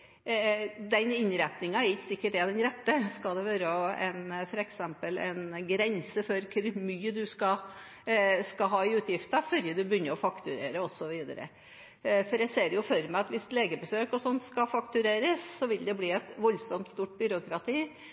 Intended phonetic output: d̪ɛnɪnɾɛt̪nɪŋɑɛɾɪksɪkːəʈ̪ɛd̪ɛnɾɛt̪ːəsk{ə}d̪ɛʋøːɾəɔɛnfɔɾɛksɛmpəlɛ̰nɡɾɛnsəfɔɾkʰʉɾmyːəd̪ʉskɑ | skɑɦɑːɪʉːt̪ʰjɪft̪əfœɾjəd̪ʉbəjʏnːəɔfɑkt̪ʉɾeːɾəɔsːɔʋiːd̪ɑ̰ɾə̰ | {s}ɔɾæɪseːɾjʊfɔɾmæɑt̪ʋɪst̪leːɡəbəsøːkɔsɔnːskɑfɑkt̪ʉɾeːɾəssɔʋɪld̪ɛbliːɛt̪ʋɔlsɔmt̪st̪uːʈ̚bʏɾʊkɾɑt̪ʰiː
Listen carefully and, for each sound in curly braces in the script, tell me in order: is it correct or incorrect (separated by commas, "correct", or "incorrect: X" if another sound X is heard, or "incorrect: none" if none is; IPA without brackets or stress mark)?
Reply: incorrect: ɑ, incorrect: f